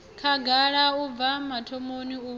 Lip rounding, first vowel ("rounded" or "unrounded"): unrounded